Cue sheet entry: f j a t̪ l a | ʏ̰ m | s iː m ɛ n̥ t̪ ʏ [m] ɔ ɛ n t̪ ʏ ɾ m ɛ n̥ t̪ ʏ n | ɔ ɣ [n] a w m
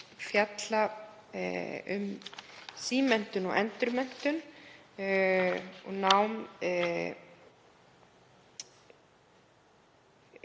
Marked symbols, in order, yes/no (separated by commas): no, yes